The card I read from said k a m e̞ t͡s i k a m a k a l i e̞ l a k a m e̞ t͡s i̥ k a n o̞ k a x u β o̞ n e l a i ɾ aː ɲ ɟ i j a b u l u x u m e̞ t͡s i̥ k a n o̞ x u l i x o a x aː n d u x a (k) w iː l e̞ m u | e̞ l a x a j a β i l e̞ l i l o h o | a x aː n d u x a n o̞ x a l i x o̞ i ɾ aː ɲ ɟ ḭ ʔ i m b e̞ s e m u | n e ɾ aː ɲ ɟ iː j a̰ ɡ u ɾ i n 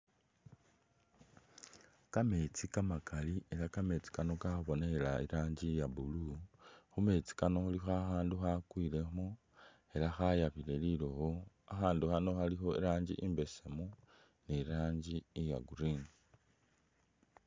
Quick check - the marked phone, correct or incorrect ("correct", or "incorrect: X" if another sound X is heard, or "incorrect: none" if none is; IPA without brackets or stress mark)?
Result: correct